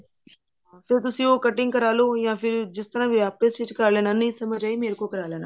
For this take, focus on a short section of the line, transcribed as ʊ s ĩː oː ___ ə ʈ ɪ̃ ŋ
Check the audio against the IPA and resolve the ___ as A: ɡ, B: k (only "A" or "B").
B